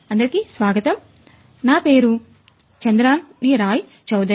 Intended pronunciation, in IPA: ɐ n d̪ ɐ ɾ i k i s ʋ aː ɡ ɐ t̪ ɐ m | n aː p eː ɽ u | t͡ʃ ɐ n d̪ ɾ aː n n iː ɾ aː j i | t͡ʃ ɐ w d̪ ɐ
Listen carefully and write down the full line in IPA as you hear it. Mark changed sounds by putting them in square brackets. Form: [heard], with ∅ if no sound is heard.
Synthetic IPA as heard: ɐ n d̪ ɐ ɾ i k i s ʋ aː ɡ ɐ t̪ ɐ m | n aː p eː [ɾ] u | t͡ʃ ɐ n d̪ ɾ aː n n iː ɾ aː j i | t͡ʃ ɐ w d̪ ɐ